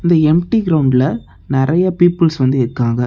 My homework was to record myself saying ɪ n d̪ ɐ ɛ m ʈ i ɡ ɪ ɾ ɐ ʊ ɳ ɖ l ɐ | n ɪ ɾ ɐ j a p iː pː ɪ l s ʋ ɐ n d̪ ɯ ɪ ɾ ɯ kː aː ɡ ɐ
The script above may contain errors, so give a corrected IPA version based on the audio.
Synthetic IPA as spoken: ɪ n d̪ ɐ ɛ m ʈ i ɡ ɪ ɾ ɐ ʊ ɳ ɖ l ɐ | n ɪ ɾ ɐ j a p iː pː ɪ l s ʋ ɐ n d̪ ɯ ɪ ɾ ɯ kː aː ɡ ɐ